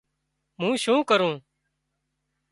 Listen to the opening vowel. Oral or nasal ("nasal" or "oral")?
nasal